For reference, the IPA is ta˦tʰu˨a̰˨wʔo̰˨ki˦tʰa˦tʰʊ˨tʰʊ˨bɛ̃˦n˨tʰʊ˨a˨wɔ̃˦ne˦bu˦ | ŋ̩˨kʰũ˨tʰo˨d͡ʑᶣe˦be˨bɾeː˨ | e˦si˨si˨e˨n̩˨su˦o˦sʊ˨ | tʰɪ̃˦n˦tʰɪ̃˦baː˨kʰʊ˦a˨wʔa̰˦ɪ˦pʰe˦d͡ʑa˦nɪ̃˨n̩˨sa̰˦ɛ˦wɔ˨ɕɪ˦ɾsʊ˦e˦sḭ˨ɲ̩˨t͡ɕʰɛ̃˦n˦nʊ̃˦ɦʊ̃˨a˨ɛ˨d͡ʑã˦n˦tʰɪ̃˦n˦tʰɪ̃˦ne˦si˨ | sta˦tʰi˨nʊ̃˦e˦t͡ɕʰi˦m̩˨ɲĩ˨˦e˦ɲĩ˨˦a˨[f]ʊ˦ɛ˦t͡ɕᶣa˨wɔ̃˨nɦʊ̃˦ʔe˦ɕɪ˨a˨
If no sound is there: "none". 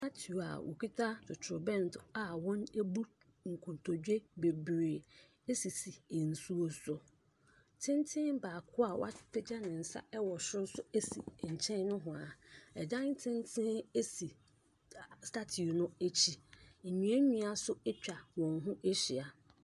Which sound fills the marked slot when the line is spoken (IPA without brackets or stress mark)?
s